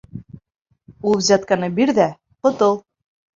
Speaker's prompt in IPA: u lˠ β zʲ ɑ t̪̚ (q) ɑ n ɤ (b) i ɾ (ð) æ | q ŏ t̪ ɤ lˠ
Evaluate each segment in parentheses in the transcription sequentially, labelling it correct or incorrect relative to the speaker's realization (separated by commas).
incorrect, correct, correct